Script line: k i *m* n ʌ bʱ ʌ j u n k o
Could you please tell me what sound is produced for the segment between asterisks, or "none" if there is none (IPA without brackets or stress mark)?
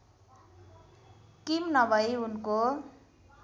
m